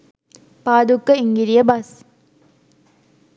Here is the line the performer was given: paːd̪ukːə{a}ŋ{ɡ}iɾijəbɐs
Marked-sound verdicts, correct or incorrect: incorrect: i, correct

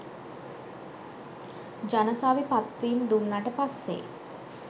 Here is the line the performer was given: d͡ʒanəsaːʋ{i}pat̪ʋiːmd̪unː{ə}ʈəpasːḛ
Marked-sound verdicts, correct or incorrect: correct, incorrect: a

